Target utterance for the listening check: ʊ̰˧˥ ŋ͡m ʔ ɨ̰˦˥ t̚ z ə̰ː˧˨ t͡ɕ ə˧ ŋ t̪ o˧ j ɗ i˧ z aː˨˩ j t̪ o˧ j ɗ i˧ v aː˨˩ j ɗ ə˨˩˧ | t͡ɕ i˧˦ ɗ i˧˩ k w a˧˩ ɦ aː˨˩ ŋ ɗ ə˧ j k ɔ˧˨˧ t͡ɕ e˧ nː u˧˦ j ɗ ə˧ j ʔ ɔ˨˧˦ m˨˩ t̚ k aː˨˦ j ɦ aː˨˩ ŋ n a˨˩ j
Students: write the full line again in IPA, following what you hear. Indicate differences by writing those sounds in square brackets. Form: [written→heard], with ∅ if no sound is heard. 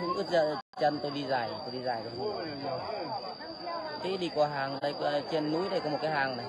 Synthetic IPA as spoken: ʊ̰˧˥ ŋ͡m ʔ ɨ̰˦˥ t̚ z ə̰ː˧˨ t͡ɕ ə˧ [ŋ→n] t̪ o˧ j ɗ i˧ z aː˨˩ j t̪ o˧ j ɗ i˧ [v→z] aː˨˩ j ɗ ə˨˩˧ | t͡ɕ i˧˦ ɗ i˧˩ k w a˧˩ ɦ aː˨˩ ŋ ɗ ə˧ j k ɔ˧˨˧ t͡ɕ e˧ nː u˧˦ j ɗ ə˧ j [ʔ→k] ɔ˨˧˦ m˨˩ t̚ k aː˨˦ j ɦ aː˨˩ ŋ n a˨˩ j